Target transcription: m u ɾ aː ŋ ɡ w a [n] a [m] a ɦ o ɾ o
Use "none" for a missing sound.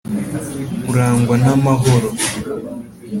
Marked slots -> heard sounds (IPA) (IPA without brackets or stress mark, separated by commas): n, m